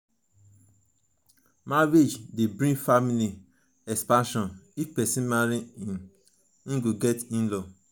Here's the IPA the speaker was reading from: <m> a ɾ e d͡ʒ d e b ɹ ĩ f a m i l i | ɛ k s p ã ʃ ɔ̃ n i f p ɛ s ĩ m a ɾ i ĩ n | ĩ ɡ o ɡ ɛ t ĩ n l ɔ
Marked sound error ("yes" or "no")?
no